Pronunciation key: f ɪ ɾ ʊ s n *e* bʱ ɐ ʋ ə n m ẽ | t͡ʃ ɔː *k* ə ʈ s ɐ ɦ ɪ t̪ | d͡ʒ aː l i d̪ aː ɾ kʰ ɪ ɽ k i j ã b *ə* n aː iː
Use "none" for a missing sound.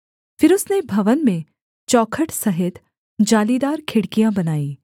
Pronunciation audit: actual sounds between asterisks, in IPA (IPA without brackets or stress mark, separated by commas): e, kʰ, ɐ